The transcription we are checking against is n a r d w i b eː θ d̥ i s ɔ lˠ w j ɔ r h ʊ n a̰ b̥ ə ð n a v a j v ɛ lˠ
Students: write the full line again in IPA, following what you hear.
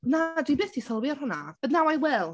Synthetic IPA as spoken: n a d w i b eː θ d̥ i s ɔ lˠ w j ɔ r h ʊ n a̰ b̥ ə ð n a w a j w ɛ lˠ